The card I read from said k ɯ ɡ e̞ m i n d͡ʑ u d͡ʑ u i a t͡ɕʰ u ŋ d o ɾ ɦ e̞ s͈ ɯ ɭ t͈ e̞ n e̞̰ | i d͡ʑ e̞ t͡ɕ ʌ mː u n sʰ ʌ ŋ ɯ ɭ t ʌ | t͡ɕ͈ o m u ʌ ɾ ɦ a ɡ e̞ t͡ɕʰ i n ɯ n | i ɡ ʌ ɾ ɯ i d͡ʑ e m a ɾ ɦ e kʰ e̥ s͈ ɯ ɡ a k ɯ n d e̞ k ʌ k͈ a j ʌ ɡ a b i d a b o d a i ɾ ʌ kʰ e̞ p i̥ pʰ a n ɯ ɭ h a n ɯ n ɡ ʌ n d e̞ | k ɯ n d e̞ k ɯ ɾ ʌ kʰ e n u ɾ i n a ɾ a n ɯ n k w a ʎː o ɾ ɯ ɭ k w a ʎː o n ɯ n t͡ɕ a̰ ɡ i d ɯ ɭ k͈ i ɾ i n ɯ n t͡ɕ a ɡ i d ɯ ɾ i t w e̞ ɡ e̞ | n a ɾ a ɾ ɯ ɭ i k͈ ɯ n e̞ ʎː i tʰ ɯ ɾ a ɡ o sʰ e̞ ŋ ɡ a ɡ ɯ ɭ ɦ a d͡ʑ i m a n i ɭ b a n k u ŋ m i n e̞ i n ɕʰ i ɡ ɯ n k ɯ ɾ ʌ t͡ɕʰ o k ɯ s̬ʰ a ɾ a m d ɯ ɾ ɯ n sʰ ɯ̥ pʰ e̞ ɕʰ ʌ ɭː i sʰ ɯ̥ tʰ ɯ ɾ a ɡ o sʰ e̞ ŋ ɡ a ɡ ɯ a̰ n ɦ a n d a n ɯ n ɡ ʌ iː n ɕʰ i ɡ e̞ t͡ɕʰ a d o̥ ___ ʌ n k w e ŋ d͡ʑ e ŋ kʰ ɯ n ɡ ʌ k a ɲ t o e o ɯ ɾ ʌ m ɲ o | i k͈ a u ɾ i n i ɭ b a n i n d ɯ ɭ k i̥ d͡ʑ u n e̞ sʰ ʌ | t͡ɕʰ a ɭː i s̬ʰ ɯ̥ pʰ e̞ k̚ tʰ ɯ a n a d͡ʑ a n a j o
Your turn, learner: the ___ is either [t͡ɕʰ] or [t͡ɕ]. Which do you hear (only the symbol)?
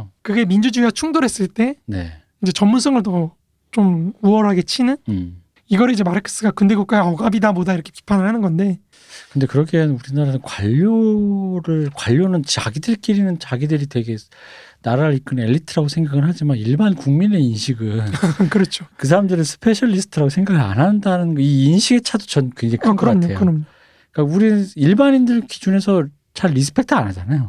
t͡ɕ